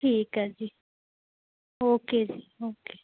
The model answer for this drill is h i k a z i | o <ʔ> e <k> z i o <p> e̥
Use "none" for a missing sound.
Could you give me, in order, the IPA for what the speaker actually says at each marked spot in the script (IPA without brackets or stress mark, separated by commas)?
k, none, k